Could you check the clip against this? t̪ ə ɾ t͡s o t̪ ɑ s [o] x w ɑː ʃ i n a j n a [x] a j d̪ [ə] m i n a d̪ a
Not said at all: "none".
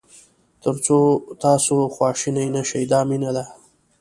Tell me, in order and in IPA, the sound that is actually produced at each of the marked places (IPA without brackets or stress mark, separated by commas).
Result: o, ʃ, ɑ